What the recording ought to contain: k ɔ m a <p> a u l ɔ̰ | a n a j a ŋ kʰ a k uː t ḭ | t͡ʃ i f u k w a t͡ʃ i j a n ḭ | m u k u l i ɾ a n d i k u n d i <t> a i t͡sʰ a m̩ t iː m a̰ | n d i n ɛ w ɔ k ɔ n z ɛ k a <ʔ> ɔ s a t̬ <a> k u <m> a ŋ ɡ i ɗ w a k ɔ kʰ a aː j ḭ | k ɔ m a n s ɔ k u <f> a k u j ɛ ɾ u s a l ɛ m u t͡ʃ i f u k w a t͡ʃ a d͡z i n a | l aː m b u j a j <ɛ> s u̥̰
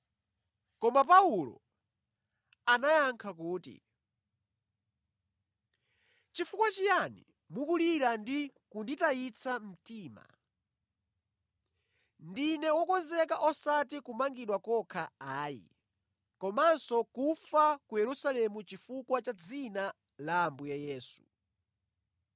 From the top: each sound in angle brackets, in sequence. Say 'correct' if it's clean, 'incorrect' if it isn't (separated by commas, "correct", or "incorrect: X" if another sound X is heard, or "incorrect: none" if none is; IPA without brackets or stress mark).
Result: correct, correct, correct, incorrect: i, correct, correct, incorrect: ɛː